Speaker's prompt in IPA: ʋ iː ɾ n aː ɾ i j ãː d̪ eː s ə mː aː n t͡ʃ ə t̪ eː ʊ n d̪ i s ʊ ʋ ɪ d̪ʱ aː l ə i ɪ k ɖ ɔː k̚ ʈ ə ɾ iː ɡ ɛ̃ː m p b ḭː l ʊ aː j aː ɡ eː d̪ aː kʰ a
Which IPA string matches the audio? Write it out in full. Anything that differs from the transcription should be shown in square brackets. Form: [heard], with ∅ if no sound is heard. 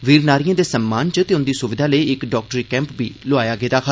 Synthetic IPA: ʋ iː ɾ n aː ɾ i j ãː d̪ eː s ə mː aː n t͡ʃ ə t̪ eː ʊ n d̪ [iː] s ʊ ʋ ɪ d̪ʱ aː l ə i ɪ k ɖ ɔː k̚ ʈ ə ɾ iː [k] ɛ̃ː m p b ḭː l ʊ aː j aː ɡ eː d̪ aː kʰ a